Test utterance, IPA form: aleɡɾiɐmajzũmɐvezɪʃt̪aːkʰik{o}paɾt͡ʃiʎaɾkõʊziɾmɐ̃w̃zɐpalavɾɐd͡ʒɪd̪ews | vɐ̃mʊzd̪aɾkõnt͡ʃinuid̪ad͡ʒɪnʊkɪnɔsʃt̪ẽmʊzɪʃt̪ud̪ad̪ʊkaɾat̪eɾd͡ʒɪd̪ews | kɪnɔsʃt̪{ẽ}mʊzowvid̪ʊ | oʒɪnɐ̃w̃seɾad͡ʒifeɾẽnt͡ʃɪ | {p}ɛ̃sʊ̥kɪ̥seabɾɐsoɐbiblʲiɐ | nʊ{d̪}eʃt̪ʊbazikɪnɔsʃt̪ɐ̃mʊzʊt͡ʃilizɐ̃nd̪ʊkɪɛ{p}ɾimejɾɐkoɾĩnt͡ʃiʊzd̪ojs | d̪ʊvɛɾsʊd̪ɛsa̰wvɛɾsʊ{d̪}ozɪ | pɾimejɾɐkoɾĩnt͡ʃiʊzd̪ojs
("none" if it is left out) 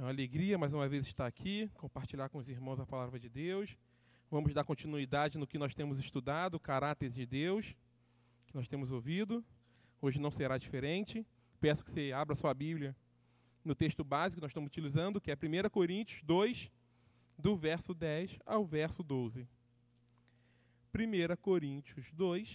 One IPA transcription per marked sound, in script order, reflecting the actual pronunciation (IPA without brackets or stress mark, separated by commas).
õ, ẽ, p, t̪, p, d̪